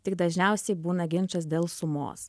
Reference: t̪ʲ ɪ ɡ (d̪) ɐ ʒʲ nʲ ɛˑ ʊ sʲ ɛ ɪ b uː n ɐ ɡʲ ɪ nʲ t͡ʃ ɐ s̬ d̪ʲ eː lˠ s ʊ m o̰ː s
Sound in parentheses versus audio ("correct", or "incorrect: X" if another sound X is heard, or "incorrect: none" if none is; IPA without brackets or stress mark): correct